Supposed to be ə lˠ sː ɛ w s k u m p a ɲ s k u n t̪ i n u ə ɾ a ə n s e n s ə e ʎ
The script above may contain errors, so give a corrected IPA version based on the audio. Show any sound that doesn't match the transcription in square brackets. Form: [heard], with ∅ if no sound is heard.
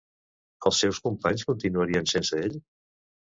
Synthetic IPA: ə lˠ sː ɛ w s k u m p a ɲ s k u n t̪ i n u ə ɾ [i] ə n s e n s ə e ʎ